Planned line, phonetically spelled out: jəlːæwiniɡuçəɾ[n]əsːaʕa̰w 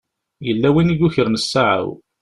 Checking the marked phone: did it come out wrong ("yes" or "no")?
no